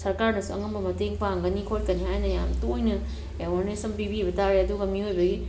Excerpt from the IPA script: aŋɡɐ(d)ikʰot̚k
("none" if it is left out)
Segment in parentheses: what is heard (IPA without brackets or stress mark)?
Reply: n